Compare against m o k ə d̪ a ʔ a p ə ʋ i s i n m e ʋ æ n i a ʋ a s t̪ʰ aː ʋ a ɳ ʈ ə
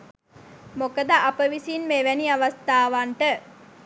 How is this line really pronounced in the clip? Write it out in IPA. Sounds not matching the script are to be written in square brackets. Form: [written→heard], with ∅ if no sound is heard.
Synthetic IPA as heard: m o k ə d̪ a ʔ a p ə ʋ i s i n m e ʋ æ n i a ʋ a s [t̪ʰ→t̪] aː ʋ a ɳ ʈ ə